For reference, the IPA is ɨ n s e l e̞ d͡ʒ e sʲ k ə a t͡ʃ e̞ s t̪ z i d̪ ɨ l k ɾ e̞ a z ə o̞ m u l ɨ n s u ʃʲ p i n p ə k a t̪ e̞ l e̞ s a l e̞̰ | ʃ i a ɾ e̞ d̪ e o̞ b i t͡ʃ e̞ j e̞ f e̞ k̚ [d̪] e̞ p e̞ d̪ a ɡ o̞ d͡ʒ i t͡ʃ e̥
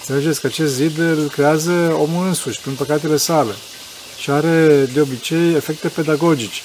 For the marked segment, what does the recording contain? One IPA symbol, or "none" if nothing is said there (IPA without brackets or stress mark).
t̪